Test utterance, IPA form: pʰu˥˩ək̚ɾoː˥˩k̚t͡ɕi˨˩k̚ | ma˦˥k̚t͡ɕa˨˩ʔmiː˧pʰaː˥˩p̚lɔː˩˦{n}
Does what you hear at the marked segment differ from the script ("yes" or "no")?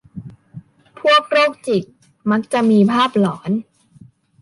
no